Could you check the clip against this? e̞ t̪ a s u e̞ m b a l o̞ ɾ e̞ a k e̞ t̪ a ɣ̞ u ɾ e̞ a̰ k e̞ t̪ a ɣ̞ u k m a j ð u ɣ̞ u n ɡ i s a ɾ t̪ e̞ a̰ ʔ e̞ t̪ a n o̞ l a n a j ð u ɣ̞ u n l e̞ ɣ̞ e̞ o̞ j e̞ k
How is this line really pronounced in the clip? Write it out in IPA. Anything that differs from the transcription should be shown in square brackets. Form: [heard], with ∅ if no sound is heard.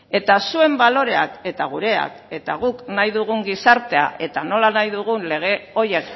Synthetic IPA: e̞ t̪ a s u e̞ m b a l o̞ ɾ e̞ a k e̞ t̪ a ɣ̞ u ɾ e̞ a̰ k e̞ t̪ a ɣ̞ u k [n] a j ð u ɣ̞ u [ŋ] ɡ i s a ɾ t̪ e̞ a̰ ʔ e̞ t̪ a n o̞ l a n a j ð u ɣ̞ u n l e̞ ɣ̞ e̞ o̞ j e̞ k